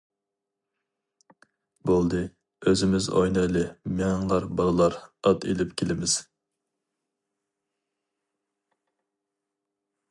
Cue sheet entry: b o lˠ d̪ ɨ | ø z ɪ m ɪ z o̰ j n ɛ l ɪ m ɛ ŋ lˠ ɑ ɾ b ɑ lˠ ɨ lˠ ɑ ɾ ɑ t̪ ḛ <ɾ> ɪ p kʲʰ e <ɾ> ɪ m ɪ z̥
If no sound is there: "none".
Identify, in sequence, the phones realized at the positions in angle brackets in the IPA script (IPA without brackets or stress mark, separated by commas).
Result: l, l